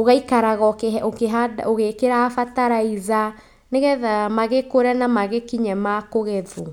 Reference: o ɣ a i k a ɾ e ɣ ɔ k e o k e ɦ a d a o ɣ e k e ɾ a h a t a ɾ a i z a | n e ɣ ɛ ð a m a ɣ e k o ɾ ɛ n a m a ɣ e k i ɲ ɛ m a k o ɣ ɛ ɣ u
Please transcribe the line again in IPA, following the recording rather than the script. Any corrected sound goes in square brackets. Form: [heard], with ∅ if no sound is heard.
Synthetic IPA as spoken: o ɣ a i k a ɾ [a] ɣ ɔ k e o k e ɦ a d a o ɣ e k e ɾ a [f] a t a ɾ a i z a | n e ɣ ɛ ð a m a ɣ e k o ɾ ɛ n a m a ɣ e k i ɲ ɛ m a k o ɣ ɛ [ð] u